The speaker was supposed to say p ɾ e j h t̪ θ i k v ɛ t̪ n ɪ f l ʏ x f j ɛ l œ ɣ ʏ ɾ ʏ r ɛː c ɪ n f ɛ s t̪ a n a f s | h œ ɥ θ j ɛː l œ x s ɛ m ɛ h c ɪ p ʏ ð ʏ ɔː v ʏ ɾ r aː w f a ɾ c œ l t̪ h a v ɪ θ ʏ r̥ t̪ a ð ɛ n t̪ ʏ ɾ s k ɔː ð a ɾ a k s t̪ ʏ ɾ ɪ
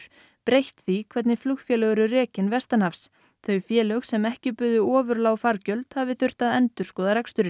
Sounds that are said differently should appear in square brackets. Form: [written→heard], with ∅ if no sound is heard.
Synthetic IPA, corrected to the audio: p ɾ e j h t̪ θ i [k→kʰ] v ɛ t̪ n ɪ f l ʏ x f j ɛ l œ ɣ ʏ ɾ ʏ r ɛː c ɪ n [f→v] ɛ s t̪ a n a f s | [h→θ] œ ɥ [θ→f] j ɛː l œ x s ɛ m ɛ h c ɪ p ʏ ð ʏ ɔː v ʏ ɾ [r→l] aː w f a ɾ c œ l t̪ h a v ɪ θ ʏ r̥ t̪ a ð ɛ n t̪ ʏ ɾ s k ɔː ð a ɾ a k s t̪ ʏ ɾ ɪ

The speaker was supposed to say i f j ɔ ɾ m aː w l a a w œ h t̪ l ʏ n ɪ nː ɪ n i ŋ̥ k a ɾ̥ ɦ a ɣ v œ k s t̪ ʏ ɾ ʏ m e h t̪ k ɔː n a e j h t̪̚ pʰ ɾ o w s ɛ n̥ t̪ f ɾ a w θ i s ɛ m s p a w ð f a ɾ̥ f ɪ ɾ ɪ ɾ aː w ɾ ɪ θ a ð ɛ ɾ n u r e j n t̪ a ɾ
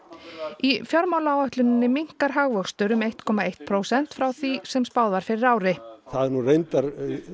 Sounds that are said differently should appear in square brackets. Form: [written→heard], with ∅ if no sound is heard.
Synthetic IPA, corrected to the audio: i f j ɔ ɾ m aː w l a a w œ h t̪ l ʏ n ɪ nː ɪ [n→m] i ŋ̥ k a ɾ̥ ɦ a ɣ v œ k s t̪ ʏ ɾ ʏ m e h t̪ [k→kʰ] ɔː [n→m] a e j h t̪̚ pʰ ɾ o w s ɛ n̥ t̪ f ɾ a w θ i s ɛ m s p a w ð [f→v] a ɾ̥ f ɪ ɾ ɪ ɾ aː w ɾ ɪ θ a ð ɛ ɾ n u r e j n t̪ a ɾ

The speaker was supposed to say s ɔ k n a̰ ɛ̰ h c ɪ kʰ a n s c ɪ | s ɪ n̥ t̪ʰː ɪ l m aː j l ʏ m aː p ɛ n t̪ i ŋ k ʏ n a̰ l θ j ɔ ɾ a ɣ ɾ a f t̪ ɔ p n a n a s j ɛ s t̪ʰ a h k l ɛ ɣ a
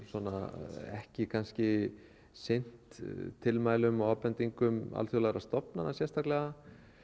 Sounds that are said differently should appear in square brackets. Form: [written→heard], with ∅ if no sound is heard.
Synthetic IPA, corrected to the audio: s ɔ [k→∅] n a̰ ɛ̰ h c ɪ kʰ a n s c ɪ | s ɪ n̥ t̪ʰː ɪ l m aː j l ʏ m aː p ɛ n t̪ i ŋ k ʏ [n→m] a̰ l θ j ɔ [ɾ→l] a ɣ ɾ a [f→s] t̪ ɔ p n a n a s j ɛ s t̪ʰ a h k l ɛ ɣ a

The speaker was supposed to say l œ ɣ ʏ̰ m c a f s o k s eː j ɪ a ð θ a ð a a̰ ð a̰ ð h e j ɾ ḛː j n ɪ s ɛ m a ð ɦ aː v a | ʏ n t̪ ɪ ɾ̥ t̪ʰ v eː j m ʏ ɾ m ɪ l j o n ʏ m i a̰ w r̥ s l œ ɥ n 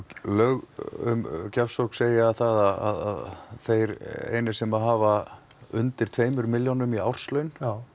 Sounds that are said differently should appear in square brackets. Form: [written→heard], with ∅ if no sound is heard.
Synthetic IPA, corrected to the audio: l œ ɣ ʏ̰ m c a f s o k s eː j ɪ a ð θ a ð a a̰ ð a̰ ð [h→θ] e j ɾ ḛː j n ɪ s ɛ m a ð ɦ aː v a | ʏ n t̪ ɪ ɾ̥ t̪ʰ v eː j m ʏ ɾ m ɪ l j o n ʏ m i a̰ w r̥ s l œ ɥ n

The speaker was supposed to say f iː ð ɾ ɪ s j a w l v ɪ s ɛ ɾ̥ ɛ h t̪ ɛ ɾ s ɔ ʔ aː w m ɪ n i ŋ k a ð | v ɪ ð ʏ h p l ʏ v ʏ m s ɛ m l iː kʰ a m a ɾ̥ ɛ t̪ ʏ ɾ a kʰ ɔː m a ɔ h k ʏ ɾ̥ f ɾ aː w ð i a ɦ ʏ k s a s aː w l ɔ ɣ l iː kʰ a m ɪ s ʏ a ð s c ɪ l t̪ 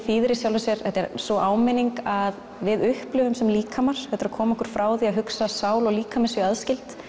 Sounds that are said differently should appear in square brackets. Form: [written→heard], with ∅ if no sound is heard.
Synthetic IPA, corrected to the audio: f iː ð ɾ ɪ s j a w l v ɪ s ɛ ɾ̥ ɛ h t̪ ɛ ɾ s ɔ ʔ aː w m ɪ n i ŋ k a ð | v ɪ ð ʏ h p l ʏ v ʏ m s ɛ m l iː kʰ a m a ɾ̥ ɛ t̪ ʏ ɾ a kʰ ɔː m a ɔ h k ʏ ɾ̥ f ɾ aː w ð i a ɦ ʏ k s a s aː w l ɔ ɣ l iː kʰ a m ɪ s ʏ a ð s c ɪ l t̪

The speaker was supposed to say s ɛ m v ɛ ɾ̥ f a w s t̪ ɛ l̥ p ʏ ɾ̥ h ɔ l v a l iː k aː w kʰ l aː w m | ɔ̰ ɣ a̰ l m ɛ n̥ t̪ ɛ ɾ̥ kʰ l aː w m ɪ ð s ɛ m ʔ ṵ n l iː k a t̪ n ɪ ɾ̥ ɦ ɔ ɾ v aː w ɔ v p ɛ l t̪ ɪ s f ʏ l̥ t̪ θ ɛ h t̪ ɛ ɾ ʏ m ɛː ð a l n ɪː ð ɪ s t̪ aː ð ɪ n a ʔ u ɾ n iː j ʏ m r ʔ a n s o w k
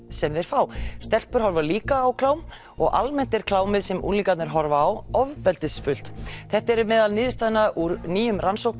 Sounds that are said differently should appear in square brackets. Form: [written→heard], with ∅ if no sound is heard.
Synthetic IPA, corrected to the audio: s ɛ m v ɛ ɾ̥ f a w s t̪ ɛ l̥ p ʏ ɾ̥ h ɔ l v a l iː k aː w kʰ l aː w m | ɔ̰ ɣ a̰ l m ɛ n̥ t̪ ɛ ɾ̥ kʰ l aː w m ɪ ð s ɛ m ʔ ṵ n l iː k a t̪ n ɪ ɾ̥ ɦ ɔ ɾ v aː w ɔ v p ɛ l t̪ ɪ s f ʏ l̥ t̪ θ ɛ h t̪ ɛ ɾ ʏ m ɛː ð a l n ɪː ð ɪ s t̪ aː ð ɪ n a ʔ u ɾ n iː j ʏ m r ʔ a n s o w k

